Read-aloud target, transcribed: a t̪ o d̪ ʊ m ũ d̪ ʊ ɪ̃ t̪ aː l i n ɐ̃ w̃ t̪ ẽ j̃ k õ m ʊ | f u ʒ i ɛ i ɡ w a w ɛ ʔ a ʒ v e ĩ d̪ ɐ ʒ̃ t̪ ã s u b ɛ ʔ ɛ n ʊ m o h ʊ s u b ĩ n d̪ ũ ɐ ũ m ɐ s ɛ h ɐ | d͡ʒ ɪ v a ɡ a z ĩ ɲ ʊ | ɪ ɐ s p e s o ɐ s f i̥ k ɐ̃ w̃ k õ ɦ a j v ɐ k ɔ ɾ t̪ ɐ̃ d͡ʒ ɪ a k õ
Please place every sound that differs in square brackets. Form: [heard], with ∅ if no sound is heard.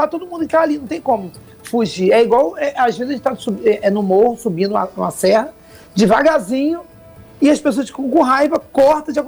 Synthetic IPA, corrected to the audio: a t̪ o d̪ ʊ m ũ d̪ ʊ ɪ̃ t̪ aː l i n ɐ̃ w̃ t̪ ẽ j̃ k õ m ʊ | f u ʒ i ɛ i ɡ w a w ɛ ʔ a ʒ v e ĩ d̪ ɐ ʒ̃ t̪ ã s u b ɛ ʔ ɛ n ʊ m o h ʊ s u b ĩ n d̪ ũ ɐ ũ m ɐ s ɛ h ɐ | d͡ʒ ɪ v a ɡ a z ĩ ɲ ʊ | ɪ ɐ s p e s o ɐ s f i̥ k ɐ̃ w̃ k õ ɦ a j v ɐ k ɔ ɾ t̪ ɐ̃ d͡ʒ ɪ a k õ